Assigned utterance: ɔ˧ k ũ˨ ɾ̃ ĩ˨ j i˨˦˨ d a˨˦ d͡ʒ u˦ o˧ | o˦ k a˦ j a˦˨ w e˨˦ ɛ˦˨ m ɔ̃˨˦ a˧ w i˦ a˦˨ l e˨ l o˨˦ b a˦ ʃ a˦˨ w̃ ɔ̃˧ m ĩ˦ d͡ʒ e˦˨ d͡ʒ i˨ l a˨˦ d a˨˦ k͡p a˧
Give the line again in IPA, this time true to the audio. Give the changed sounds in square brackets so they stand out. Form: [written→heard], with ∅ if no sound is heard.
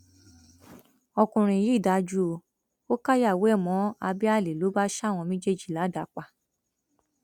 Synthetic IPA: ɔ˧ k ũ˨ ɾ̃ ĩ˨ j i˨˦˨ d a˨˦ d͡ʒ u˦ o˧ | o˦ k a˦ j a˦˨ w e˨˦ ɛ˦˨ m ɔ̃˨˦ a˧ [w→b] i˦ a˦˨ l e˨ l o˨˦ b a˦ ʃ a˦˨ w̃ ɔ̃˧ m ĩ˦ d͡ʒ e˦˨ d͡ʒ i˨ l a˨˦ d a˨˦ k͡p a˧

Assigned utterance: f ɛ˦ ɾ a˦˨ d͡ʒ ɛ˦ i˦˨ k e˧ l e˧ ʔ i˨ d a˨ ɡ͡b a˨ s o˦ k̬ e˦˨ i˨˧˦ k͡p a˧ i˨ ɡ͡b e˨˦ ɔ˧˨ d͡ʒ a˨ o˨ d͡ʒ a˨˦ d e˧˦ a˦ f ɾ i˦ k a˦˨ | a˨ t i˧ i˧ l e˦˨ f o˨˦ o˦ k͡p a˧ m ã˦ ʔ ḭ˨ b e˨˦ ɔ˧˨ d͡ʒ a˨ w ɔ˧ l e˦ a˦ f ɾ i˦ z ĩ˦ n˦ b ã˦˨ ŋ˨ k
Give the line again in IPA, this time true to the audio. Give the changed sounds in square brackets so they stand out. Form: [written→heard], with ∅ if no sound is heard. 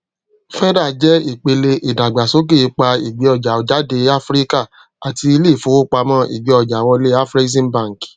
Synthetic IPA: f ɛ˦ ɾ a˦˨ d͡ʒ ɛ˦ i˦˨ [k→k͡p] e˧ l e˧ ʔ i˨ d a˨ ɡ͡b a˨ s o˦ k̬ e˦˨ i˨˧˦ k͡p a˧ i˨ ɡ͡b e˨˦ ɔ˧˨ d͡ʒ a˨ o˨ d͡ʒ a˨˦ d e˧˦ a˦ f ɾ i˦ k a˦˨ | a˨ t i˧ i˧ l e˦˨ f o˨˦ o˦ k͡p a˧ m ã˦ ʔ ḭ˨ [b→ɡ͡b] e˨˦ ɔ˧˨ d͡ʒ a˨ w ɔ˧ l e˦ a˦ f ɾ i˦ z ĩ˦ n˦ b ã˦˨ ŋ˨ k

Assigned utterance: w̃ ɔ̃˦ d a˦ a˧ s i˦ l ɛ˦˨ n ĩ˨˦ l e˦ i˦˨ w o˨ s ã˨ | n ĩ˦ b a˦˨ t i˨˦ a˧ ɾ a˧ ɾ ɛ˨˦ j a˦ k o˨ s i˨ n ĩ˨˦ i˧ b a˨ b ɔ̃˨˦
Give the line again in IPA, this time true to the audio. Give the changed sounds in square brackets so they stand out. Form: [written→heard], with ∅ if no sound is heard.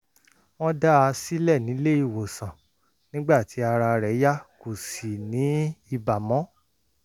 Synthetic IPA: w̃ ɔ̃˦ d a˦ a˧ s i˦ l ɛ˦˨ n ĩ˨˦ l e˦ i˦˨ w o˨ s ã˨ | n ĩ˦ [b→ɡ͡b] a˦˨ t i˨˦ a˧ ɾ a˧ ɾ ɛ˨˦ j a˦ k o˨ s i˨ n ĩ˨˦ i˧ b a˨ [b→m] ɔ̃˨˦

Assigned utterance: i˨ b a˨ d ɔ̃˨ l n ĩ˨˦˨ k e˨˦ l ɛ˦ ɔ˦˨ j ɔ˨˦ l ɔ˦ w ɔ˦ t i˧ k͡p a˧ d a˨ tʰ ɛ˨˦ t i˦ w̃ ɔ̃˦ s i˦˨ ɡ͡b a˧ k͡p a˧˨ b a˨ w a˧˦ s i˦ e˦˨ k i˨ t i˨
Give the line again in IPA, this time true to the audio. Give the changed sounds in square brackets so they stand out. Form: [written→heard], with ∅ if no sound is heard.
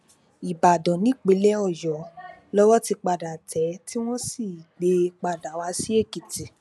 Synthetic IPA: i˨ b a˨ d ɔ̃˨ [l→∅] n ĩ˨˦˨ [k→k͡p] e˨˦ l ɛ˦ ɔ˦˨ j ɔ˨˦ l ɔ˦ w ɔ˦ t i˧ k͡p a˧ d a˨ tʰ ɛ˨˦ t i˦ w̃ ɔ̃˦ s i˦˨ ɡ͡b [a˧→e˧] k͡p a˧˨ [b→d] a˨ w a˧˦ s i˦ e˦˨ k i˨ t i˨

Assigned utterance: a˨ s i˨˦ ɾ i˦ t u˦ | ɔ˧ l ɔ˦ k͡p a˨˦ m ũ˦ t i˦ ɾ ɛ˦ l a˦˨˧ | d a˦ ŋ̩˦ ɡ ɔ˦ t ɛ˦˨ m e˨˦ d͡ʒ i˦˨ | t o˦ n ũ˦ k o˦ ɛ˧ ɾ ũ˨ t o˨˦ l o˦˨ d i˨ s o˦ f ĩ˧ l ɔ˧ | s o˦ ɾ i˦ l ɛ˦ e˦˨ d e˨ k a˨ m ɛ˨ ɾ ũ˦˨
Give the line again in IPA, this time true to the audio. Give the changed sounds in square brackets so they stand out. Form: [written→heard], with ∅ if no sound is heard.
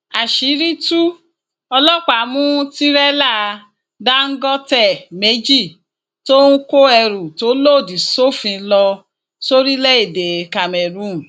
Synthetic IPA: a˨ [s→ʃ] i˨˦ ɾ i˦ t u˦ | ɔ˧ l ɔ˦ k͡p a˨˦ m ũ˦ t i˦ ɾ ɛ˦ l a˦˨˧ | d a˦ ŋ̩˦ ɡ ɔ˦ t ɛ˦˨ m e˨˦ d͡ʒ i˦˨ | t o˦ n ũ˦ k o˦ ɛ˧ ɾ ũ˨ t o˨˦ l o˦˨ d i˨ s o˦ f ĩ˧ l ɔ˧ | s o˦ ɾ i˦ l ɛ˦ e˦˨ d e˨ k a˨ m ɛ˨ ɾ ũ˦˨

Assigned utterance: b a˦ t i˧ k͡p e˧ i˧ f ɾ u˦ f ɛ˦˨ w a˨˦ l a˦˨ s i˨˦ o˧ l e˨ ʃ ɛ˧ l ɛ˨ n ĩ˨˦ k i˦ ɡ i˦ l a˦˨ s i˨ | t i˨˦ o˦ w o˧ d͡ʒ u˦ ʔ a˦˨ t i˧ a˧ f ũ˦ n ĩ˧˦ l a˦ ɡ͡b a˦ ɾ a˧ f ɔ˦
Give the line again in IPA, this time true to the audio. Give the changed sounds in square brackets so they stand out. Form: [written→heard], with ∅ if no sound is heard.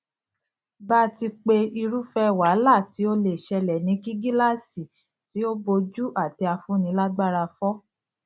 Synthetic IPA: b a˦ t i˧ k͡p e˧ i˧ [f→∅] ɾ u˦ f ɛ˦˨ w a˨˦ l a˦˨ [s→t] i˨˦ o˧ l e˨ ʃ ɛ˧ l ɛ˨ n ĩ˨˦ k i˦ ɡ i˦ l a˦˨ s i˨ | t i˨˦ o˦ [w→b] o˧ d͡ʒ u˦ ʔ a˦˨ t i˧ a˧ f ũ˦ n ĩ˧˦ l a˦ ɡ͡b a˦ ɾ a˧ f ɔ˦

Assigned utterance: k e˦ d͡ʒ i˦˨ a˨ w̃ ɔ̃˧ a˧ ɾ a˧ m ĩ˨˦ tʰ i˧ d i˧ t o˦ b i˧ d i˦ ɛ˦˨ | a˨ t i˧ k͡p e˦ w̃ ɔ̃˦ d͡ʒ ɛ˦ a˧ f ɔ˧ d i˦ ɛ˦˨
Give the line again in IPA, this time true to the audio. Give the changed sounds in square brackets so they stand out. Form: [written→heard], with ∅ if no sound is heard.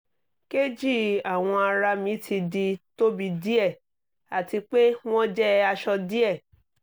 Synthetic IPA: k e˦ d͡ʒ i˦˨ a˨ w̃ ɔ̃˧ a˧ ɾ a˧ m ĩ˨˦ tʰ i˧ d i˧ t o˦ b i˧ d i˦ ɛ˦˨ | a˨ t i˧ k͡p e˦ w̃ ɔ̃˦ d͡ʒ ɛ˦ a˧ [f→ʃ] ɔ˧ d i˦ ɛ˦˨

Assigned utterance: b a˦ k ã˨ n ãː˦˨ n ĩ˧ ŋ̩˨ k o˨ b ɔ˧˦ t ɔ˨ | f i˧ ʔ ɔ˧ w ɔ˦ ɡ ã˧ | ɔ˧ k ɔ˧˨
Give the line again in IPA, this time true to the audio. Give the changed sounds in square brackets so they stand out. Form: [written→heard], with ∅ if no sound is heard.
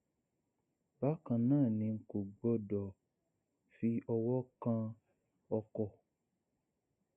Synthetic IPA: b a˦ k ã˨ n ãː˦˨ n ĩ˧ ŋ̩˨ k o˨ [b→ɡ͡b] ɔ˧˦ [t→d] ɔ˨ | f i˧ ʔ ɔ˧ w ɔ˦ [ɡ→k] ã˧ | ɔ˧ k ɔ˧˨

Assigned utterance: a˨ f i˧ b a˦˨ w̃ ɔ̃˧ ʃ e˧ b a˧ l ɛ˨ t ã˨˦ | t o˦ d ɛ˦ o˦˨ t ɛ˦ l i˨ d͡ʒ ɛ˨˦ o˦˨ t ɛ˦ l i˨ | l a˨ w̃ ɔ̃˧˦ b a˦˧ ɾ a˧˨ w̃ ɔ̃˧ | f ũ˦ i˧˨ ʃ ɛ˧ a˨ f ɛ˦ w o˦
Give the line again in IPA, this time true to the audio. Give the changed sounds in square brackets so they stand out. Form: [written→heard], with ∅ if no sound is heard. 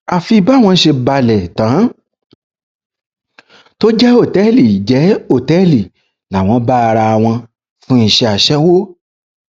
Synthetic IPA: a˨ f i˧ b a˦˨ w̃ ɔ̃˧ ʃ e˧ b a˧ l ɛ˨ t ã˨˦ | t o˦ [d→d͡ʒ] ɛ˦ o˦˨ t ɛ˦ l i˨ d͡ʒ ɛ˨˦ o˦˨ t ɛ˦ l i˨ | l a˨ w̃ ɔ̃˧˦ b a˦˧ ɾ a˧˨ w̃ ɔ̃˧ | f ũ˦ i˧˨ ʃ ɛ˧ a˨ [f→ʃ] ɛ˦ w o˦

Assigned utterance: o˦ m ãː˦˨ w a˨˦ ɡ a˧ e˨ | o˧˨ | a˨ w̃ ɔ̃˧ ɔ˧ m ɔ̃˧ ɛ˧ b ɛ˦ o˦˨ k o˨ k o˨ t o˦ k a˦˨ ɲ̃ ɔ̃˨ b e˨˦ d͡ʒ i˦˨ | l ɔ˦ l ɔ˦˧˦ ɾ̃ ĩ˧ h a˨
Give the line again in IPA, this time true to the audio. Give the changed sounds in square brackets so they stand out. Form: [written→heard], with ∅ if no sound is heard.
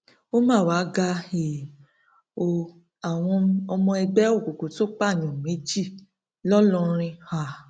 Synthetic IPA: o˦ m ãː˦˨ w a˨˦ ɡ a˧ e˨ | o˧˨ | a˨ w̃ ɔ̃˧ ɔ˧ m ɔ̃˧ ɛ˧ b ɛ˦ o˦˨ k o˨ k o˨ t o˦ [k→k͡p] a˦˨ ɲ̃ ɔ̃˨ [b→m] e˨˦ d͡ʒ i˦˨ | l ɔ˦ l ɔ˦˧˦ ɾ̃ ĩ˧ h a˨

